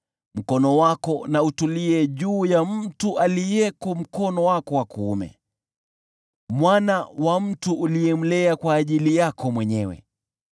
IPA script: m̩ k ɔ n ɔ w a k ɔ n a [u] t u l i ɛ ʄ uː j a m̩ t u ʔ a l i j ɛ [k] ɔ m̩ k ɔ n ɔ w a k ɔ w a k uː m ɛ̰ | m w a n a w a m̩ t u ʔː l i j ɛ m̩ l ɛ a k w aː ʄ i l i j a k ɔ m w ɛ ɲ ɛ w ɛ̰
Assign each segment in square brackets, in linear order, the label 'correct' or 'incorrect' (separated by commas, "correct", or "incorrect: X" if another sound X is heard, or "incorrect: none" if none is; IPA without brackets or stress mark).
correct, correct